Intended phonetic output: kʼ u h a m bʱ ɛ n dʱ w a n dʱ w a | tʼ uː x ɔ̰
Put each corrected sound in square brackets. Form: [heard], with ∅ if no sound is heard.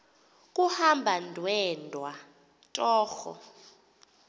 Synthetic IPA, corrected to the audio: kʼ u h a m bʱ [a] n dʱ w [ɛ] n dʱ w a | tʼ [ɔː] x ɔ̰